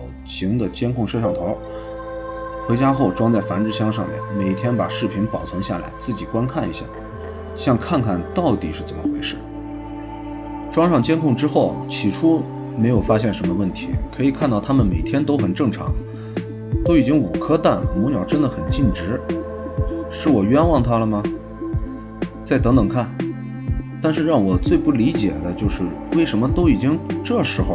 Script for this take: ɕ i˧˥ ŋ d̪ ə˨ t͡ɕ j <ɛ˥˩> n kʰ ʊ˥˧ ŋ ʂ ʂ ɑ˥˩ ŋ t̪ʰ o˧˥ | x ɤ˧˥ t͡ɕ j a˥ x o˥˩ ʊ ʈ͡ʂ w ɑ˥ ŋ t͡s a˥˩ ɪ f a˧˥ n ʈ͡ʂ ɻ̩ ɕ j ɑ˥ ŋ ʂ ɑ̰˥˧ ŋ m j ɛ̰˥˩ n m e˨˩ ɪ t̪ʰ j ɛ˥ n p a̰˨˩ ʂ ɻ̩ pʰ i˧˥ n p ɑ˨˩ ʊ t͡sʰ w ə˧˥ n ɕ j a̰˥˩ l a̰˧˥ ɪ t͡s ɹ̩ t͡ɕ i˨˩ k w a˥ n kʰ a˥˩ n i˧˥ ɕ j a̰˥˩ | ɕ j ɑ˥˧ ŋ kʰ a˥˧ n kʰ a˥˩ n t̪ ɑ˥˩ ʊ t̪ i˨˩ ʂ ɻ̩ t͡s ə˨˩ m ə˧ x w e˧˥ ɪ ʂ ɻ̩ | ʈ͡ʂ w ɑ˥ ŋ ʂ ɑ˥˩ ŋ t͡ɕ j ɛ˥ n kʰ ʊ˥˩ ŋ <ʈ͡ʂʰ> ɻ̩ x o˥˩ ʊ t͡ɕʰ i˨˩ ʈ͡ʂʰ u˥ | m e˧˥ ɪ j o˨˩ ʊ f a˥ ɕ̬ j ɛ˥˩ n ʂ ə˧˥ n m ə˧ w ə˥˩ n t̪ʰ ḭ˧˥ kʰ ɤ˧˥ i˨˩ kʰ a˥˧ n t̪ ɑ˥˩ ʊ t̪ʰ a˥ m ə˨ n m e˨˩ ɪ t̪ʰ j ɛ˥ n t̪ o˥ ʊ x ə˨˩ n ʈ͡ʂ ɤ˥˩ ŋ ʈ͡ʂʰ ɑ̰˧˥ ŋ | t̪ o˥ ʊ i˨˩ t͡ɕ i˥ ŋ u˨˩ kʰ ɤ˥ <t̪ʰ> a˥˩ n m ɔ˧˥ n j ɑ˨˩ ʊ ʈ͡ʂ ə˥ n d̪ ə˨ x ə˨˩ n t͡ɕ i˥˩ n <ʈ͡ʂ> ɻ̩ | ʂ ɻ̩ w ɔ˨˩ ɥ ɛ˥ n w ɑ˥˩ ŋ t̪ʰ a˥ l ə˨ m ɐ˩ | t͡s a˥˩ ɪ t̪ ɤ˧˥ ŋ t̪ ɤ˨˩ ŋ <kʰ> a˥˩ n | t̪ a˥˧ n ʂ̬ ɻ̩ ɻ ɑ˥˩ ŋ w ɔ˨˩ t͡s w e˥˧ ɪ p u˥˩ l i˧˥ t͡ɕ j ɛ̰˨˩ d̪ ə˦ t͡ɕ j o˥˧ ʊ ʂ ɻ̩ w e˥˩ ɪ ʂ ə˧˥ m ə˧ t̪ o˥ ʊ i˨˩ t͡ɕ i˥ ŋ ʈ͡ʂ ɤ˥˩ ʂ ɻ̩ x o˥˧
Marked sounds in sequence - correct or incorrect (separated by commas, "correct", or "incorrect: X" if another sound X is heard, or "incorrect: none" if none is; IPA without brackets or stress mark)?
incorrect: ɛ˥, incorrect: ʈ͡ʂ, incorrect: t̪, correct, correct